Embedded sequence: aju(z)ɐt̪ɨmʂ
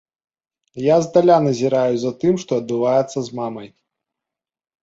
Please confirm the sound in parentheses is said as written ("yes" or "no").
yes